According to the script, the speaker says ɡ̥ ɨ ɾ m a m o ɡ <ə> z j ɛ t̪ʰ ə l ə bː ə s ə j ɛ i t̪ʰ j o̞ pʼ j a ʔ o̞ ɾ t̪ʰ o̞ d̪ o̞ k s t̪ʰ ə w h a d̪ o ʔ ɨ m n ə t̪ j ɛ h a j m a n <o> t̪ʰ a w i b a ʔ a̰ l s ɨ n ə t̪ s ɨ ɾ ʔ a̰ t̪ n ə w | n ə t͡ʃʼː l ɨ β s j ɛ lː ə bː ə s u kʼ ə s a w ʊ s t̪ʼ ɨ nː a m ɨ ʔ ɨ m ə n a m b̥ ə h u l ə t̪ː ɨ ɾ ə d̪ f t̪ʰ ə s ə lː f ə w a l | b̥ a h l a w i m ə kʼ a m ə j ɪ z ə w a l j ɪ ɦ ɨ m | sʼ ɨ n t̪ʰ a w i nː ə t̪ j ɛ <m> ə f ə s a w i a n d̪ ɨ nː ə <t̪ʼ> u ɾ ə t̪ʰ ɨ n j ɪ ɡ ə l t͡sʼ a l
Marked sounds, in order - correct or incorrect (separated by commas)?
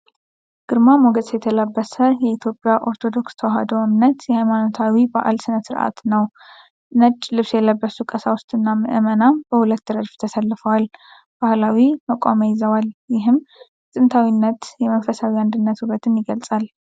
correct, correct, correct, incorrect